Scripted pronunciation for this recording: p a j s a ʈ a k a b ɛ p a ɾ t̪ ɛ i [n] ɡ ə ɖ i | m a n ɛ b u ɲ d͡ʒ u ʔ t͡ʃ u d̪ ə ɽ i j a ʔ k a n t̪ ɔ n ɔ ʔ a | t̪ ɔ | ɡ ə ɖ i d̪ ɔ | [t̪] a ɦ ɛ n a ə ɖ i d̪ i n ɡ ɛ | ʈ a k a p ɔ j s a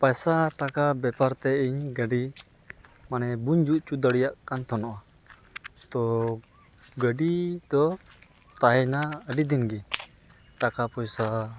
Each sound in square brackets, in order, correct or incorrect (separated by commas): incorrect, correct